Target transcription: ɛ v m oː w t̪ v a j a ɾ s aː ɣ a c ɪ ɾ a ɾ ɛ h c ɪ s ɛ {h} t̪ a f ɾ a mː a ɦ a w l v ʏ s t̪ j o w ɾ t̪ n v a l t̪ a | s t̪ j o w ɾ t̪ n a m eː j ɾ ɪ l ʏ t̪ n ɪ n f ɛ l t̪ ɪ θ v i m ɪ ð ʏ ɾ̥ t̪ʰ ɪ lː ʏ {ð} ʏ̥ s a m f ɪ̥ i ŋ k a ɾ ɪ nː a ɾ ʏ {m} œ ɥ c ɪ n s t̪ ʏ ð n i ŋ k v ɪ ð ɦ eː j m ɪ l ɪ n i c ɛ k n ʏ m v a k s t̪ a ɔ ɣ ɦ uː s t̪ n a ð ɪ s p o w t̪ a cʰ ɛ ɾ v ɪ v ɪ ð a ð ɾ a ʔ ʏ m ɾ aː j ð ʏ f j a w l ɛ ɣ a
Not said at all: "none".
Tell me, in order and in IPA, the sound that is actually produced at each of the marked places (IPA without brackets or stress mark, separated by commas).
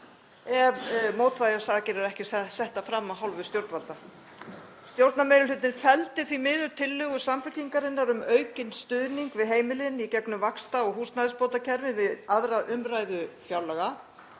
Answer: h, ɣ, m